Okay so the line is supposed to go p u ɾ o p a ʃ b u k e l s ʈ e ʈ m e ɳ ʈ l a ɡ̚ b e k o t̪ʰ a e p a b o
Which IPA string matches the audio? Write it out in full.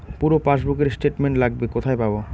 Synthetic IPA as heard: p u ɾ o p a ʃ b u k e ɾ s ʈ e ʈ m e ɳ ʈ l a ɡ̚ b e k o t̪ʰ a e p a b o